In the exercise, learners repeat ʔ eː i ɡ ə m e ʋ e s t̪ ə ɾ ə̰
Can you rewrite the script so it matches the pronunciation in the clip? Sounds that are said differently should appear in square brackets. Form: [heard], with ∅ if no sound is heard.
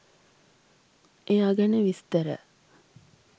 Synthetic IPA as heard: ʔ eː [a] ɡ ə [n] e ʋ [i] s t̪ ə ɾ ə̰